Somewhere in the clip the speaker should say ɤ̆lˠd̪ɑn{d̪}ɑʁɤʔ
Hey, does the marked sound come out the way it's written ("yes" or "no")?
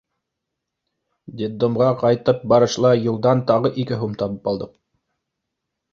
no